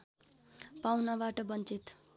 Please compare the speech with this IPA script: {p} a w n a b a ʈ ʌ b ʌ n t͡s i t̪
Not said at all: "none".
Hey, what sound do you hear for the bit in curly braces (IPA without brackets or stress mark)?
p